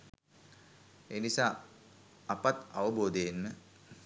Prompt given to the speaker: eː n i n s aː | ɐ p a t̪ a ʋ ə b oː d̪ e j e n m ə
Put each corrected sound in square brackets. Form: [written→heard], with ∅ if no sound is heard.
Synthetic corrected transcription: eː n i [n→∅] s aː | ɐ p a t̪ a ʋ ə b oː d̪ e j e n m ə